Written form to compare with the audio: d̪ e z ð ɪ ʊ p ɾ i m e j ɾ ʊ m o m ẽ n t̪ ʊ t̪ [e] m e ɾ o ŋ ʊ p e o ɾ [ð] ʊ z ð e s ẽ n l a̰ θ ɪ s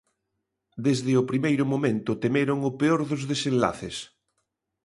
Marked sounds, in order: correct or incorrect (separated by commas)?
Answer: correct, correct